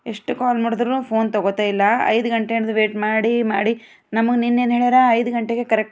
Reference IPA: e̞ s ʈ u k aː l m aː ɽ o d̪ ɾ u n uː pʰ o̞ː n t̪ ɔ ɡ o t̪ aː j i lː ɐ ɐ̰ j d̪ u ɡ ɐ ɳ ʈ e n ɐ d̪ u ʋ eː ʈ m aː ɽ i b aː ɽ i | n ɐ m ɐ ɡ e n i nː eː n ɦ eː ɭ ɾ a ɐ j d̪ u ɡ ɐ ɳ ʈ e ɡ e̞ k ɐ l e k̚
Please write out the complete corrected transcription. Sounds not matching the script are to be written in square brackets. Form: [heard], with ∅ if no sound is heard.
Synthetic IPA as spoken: e̞ [ʂ] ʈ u k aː l m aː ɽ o d̪ ɾ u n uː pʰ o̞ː n t̪ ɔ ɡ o t̪ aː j i lː ɐ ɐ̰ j d̪ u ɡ ɐ ɳ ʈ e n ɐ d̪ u ʋ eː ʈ m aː ɽ i [m] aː ɽ i | n ɐ m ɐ ɡ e n i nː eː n ɦ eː ɭ ɾ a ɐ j d̪ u ɡ ɐ ɳ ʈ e ɡ e̞ k ɐ [ɾ] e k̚